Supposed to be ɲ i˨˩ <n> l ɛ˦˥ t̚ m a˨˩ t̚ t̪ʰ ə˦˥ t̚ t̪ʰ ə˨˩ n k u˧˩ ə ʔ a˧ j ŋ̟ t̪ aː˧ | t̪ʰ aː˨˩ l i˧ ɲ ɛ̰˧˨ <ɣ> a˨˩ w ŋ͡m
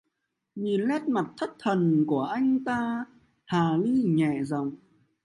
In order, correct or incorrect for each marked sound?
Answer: correct, incorrect: z

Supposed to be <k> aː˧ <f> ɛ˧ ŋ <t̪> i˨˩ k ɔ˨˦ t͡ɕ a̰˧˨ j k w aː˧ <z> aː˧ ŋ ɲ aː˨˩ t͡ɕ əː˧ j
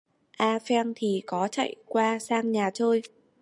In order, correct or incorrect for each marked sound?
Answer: incorrect: ʔ, correct, incorrect: t̪ʰ, incorrect: s

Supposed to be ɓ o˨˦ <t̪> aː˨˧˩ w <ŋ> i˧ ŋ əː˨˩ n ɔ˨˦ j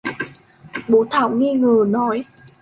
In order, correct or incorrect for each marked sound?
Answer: incorrect: t̪ʰ, correct

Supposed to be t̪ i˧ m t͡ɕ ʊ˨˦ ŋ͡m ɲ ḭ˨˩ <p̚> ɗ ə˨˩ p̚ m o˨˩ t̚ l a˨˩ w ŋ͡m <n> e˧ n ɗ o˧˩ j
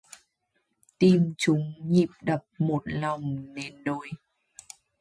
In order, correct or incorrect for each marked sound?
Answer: correct, correct

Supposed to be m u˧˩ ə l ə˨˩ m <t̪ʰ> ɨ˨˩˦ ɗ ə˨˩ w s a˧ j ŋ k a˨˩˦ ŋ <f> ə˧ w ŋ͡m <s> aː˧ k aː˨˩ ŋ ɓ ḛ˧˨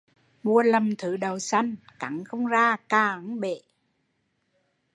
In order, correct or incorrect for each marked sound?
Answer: correct, incorrect: x, incorrect: z

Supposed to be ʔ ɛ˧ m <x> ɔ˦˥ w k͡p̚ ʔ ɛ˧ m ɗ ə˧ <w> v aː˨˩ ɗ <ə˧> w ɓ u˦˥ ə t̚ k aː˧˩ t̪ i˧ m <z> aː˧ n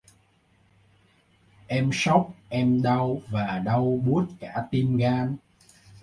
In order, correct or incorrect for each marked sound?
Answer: incorrect: s, correct, correct, incorrect: ɣ

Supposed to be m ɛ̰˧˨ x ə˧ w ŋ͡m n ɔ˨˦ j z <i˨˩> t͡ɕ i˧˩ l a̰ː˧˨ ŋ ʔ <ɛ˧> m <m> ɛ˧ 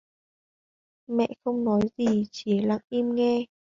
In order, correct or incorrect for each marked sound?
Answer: correct, incorrect: i˧, incorrect: ŋ

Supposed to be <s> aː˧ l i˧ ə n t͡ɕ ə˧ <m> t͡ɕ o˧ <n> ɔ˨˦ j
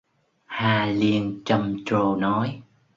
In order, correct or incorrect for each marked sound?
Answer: incorrect: h, correct, correct

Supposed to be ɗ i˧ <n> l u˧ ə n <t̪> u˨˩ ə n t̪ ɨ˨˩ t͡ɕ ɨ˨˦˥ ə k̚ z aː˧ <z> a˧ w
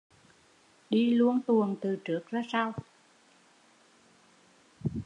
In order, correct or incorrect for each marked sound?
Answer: incorrect: none, correct, incorrect: s

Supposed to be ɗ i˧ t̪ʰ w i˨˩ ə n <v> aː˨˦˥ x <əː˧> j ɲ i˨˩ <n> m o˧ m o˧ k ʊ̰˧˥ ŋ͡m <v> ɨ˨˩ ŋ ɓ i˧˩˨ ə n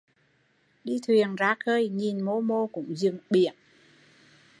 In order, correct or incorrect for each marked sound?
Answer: incorrect: z, correct, correct, incorrect: z

